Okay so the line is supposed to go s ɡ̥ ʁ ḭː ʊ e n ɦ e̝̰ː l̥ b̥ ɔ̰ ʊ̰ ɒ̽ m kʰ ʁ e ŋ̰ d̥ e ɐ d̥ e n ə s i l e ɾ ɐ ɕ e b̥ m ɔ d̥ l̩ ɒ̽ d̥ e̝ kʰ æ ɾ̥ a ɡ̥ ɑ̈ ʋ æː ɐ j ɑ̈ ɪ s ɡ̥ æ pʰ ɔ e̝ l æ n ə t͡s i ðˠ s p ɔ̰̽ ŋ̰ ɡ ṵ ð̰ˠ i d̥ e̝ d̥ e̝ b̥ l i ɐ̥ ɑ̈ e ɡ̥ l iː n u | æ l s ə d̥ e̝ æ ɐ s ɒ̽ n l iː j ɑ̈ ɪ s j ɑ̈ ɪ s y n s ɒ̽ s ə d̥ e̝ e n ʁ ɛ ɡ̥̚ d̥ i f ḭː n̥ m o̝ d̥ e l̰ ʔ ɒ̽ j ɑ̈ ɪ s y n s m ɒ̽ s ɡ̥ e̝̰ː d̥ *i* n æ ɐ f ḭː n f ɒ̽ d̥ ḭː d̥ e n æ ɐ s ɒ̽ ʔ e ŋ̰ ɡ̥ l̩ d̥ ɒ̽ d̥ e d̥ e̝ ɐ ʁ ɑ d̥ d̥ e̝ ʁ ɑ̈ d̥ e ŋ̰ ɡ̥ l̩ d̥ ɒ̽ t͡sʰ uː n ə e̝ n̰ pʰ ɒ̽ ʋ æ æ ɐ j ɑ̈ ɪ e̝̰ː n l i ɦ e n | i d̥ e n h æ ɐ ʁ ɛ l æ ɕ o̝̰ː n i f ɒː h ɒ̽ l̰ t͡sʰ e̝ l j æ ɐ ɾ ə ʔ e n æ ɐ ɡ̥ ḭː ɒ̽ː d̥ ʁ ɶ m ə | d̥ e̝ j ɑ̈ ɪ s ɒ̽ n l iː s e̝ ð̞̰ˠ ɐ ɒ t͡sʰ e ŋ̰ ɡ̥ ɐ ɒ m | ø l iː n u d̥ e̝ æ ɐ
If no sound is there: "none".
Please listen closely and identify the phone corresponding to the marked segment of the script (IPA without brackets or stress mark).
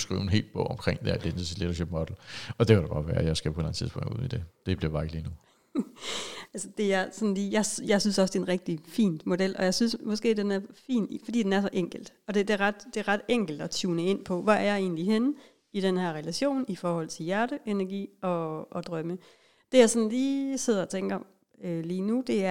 e